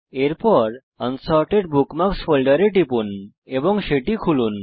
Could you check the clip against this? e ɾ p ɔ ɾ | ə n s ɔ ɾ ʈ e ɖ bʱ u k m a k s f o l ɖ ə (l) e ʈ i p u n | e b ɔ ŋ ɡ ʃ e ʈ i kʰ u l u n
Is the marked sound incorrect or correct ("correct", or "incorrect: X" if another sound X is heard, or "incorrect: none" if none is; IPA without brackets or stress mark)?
incorrect: ɾ